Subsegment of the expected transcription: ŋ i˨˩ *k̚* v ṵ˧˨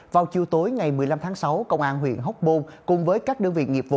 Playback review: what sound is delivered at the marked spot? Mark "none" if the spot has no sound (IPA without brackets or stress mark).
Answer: p̚